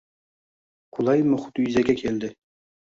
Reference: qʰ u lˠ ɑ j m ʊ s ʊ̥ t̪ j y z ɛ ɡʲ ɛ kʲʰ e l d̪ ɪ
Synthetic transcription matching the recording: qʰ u lˠ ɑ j m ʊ χ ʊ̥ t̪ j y z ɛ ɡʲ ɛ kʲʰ e l d̪ ɪ

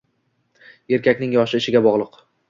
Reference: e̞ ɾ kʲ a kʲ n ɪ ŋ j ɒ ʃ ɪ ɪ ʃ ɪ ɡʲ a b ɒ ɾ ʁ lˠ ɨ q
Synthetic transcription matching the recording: e̞ ɾ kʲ a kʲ n ɪ ŋ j ɒ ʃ ɪ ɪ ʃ ɪ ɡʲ a b ɒ ʁ lˠ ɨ q

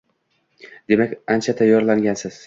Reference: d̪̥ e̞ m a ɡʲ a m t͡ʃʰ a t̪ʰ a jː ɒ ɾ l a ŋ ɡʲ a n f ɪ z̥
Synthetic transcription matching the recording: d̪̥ e̞ m a kʲ a n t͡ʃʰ a t̪ʰ a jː ɒ ɾ l a ŋ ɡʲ a n s ɪ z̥

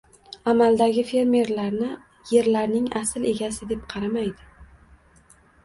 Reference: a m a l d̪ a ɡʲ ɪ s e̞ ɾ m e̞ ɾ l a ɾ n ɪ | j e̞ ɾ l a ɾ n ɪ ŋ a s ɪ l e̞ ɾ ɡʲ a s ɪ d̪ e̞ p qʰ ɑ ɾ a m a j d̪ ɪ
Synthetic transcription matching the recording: a m a l d̪ a ɡʲ ɪ f e̞ ɾ m e̞ ɾ l a ɾ n ɪ | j e̞ ɾ l a ɾ n ɪ ŋ a s ɪ l e̞ ɡʲ a s ɪ d̪ e̞ p qʰ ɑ ɾ a m a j d̪ ɪ

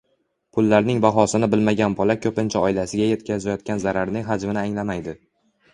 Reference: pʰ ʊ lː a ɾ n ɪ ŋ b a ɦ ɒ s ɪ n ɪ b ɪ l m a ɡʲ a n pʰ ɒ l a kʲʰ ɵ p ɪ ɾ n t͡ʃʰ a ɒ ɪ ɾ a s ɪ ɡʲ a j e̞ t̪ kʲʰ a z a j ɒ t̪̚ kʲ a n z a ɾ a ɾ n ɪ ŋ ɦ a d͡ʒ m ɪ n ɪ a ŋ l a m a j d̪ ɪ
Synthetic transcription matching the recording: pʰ ʊ lː a ɾ n ɪ ŋ b a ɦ ɒ s ɪ n ɪ b ɪ l m a ɡʲ a n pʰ ɒ l a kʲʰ ɵ p ɪ n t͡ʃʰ a ɒ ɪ l a s ɪ ɡʲ a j e̞ t̪ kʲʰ a z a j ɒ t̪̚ kʲ a n z a ɾ a ɾ n ɪ ŋ ɦ a d͡ʒ m ɪ n ɪ a ŋ l a m a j d̪ ɪ

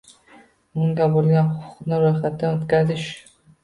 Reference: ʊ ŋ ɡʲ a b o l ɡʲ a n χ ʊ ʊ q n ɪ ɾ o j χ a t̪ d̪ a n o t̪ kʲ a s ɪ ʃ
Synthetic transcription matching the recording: ʊ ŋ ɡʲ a b o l ɡʲ a n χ ʊ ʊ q n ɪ ɾ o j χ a t̪ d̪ a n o t̪ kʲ a z ɪ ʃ

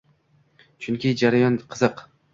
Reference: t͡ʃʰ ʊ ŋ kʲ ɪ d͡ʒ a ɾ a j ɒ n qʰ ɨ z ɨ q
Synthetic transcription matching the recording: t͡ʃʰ ʊ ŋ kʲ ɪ d͡ʒ a ɾ a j ɒ n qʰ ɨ z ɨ q

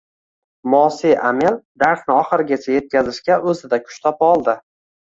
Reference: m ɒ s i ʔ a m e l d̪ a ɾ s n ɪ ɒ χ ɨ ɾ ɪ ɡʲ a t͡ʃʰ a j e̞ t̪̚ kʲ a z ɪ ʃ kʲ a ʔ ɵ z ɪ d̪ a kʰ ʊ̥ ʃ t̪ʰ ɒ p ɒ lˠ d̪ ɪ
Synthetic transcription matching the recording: m ɒ s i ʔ a m e l d̪ a ɾ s n ɪ ɒ χ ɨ ɾ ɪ ɡʲ a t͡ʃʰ a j e̞ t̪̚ kʲ a z ɪ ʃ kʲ a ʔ ɵ z ɪ d̪ a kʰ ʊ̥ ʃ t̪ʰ ɒ p ɒ lˠ d̪ ɪ

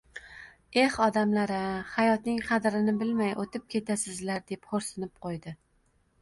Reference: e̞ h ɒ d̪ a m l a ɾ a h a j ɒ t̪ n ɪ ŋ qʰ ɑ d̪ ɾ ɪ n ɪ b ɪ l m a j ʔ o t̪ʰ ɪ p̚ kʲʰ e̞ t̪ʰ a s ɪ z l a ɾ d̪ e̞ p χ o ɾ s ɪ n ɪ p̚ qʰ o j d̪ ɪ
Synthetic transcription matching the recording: e̞ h ɒ d̪ a m l a ɾ a h a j ɒ t̪ n ɪ ŋ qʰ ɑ d̪ ɾ ɪ n ɪ b ɪ l m a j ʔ o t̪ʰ ɪ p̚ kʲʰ e̞ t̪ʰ a s ɪ z l a ɾ d̪ e̞ p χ o ɾ s ɪ n ɪ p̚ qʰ o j d̪ ɪ

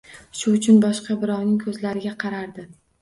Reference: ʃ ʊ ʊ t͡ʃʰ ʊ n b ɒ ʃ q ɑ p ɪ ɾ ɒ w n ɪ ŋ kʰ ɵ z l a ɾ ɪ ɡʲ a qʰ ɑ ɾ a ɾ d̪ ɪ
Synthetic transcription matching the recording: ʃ ʊ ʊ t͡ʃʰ ʊ n b ɒ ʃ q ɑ b ɪ ɾ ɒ w n ɪ ŋ kʰ ɵ z l a ɾ ɪ ɡʲ a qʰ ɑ ɾ a ɾ d̪ ɪ

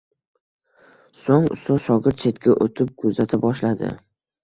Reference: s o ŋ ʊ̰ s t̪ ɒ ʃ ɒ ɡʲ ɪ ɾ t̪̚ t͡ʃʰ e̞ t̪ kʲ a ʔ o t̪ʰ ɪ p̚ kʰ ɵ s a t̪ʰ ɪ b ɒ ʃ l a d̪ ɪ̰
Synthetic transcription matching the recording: s o ŋ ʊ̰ s t̪ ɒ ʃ ɒ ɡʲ ɪ ɾ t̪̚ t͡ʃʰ e̞ t̪ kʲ a ʔ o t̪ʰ ɪ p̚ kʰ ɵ z a t̪ʰ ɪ b ɒ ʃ l a d̪ ɪ̰

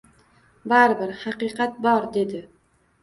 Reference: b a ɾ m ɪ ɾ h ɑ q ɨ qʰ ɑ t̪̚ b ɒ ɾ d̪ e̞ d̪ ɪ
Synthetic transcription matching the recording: b a ɾ b ɪ ɾ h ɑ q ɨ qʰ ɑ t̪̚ b ɒ ɾ d̪ e̞ d̪ ɪ

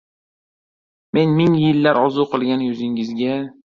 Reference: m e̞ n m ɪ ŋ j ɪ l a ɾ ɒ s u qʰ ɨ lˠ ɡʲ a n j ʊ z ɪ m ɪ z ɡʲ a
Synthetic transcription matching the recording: m e̞ n m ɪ ŋ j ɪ lː a ɾ ɒ z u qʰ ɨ lˠ ɡʲ a n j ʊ z ɪ ŋ ɪ z ɡʲ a

